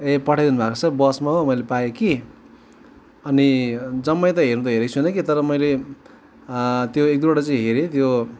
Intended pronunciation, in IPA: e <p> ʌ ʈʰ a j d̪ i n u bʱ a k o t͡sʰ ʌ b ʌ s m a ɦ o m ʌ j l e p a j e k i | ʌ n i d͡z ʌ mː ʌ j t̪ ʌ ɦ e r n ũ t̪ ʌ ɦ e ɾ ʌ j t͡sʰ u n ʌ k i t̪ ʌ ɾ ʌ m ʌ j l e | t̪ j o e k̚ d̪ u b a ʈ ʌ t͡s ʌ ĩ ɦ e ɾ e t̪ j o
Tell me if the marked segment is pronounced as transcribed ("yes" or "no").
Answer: yes